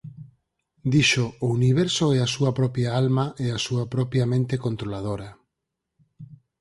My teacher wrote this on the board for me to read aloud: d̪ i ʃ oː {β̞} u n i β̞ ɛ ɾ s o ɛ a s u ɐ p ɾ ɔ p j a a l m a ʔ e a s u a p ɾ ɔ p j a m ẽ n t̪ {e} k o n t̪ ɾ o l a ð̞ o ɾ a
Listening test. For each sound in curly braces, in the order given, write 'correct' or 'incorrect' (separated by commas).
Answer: incorrect, correct